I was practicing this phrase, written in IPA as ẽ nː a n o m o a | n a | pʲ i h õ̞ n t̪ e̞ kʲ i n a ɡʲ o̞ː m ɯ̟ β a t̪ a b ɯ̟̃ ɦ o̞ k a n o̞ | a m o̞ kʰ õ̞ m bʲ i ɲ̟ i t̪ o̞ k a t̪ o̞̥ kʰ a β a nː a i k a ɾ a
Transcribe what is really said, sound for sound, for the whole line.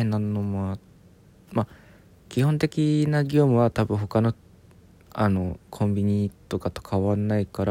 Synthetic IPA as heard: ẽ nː a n o m o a | m a | kʲ i h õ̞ n t̪ e̞ kʲ i n a ɡʲ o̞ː m ɯ̟ β a t̪ a b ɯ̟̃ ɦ o̞ k a n o̞ | a n o̞ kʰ õ̞ m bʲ i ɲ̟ i t̪ o̞ k a t̪ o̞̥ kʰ a β a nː a i k a ɾ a